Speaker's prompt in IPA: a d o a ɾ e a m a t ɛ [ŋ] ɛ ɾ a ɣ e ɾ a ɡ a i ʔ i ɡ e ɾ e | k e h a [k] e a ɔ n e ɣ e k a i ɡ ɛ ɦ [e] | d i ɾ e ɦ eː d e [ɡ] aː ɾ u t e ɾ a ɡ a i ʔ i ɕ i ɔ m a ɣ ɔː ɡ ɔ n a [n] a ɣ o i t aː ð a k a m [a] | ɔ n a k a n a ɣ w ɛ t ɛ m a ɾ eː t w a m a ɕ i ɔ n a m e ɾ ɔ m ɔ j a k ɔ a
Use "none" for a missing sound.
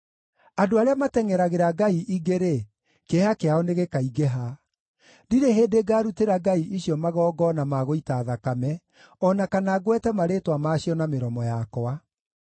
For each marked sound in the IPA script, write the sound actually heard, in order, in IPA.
ŋ, k, a, ɡ, m, ɛ

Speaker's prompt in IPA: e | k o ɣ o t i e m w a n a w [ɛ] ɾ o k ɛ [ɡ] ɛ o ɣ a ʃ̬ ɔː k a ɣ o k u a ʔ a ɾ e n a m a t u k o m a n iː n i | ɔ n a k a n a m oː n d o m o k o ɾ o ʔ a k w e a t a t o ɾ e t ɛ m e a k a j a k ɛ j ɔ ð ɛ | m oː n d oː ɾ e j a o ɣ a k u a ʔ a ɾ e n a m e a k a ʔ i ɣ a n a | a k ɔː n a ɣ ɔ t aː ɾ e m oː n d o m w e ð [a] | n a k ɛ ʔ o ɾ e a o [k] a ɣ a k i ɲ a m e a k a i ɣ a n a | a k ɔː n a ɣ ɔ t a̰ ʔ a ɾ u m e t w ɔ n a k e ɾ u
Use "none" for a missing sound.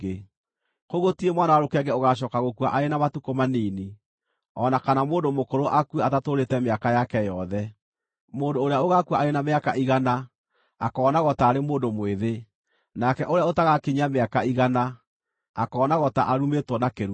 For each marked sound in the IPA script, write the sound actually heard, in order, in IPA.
a, ɡ, e, t

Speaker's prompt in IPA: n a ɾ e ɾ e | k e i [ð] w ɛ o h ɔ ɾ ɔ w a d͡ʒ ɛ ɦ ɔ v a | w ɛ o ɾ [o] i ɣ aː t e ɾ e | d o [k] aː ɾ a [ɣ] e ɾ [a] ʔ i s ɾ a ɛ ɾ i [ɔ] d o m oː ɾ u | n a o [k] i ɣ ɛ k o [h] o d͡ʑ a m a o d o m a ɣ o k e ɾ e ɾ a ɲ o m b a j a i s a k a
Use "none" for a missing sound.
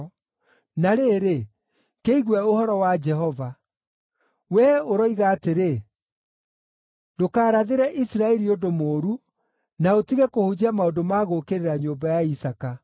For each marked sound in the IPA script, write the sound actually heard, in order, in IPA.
ɣ, ɔ, k, ð, ɛ, o, t, h

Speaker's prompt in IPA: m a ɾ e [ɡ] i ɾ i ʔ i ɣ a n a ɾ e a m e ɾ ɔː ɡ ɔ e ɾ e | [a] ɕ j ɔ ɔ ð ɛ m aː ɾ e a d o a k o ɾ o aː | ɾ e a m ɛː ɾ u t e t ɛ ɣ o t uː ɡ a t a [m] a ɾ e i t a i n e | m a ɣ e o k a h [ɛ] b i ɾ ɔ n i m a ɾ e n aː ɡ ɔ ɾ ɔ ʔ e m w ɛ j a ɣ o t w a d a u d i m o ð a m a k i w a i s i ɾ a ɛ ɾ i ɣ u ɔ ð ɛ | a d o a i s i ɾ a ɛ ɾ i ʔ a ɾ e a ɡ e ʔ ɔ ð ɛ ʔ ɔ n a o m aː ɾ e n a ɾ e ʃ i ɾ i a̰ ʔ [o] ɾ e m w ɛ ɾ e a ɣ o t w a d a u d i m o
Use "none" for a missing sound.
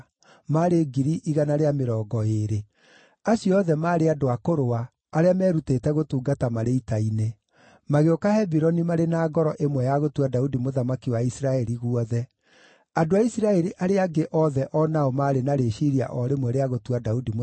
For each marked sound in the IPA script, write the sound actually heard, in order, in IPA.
ɡ, a, m, ɛ, ɔ

